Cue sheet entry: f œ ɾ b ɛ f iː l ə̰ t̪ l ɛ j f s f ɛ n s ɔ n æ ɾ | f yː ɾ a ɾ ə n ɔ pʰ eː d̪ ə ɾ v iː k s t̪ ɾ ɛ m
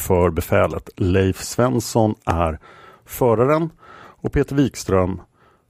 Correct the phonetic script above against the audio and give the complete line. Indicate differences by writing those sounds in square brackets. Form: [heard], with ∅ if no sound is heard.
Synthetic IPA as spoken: f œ ɾ b ɛ f [ɛː] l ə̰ t̪ l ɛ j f s [v] ɛ n s ɔ n æ ɾ | f [œː] ɾ a ɾ ə n ɔ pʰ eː [t̪] ə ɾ v iː k s t̪ ɾ [œ] m